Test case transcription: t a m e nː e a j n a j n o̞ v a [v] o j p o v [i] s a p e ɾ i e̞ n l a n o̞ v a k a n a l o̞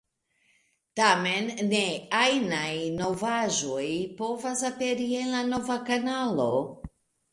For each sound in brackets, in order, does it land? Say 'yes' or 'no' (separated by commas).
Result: no, no